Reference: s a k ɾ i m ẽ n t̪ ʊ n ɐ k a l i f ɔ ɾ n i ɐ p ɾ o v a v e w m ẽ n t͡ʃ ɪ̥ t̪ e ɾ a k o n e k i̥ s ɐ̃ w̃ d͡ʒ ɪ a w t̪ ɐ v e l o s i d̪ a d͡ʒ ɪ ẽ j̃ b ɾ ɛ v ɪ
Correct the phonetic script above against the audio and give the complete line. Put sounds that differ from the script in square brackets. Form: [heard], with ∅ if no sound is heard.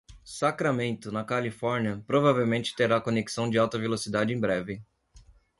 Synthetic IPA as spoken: s a k ɾ [a] m ẽ n t̪ ʊ n ɐ k a l i f ɔ ɾ n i ɐ p ɾ o v a v e w m ẽ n t͡ʃ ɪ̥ t̪ e ɾ a k o n e k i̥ s ɐ̃ w̃ d͡ʒ ɪ a w t̪ ɐ v e l o s i d̪ a d͡ʒ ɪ ẽ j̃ b ɾ ɛ v ɪ